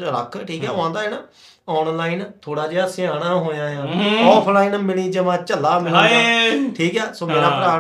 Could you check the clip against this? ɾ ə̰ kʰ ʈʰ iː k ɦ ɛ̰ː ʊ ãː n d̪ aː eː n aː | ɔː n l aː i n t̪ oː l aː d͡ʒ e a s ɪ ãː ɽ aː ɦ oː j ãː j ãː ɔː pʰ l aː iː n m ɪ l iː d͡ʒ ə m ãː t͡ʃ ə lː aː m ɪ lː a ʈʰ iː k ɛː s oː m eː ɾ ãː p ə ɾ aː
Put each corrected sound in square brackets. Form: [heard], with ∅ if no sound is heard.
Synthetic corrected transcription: ɾ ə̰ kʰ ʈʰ iː k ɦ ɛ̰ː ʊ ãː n d̪ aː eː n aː | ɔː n l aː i n [t̪ʰ] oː [ɽ] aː d͡ʒ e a s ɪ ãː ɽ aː ɦ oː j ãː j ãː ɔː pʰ l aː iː n m ɪ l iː d͡ʒ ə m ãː t͡ʃ ə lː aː m ɪ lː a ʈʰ iː k ɛː s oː m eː ɾ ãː p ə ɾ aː